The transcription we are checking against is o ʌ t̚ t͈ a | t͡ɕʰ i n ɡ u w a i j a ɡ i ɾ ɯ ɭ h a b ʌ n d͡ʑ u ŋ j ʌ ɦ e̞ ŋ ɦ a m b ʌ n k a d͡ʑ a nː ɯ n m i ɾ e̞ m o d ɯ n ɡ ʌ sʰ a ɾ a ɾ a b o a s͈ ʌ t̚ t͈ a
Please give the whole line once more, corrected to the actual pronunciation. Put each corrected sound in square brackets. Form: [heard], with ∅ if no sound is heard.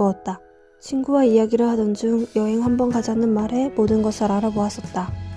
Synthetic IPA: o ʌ t̚ t͈ a | t͡ɕʰ i n ɡ u w a i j a ɡ i ɾ ɯ ɭ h a [d] ʌ n d͡ʑ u ŋ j ʌ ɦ e̞ ŋ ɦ a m b ʌ n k a d͡ʑ a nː ɯ n m [a] ɾ e̞ m o d ɯ n ɡ ʌ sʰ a ɾ a ɾ a b o a s͈ ʌ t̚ t͈ a